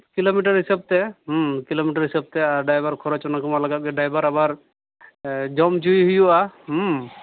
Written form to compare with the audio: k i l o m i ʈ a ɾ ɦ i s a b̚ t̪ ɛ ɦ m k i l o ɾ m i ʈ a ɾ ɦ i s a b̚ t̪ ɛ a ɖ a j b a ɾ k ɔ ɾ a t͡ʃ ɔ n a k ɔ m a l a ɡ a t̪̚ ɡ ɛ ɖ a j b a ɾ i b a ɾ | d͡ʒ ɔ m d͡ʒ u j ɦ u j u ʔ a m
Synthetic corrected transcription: k i l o m i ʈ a ɾ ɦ i s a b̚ t̪ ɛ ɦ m k i l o m i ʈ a ɾ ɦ i s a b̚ t̪ ɛ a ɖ a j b a ɾ kʰ ɔ ɾ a t͡ʃ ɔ n a k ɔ m a l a ɡ a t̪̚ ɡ ɛ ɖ a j b a ɾ a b a ɾ | d͡ʒ ɔ m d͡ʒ u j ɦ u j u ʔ a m